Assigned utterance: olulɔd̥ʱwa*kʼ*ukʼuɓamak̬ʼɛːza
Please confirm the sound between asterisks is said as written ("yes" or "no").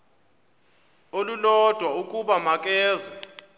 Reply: no